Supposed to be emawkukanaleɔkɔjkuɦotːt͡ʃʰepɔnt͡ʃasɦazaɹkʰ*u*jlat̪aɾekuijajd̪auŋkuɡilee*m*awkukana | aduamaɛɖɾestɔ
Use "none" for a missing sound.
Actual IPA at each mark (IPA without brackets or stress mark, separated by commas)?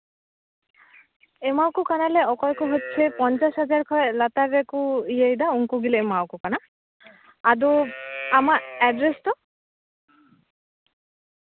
ɔ, m